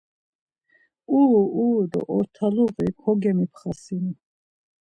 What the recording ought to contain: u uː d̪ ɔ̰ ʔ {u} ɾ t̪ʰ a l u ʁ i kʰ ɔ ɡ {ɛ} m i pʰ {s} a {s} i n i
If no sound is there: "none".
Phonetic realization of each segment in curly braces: ɔ, ɛ, χ, s

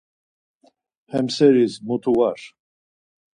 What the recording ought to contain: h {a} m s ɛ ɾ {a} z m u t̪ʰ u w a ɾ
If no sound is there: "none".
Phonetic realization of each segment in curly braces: ɛ, i

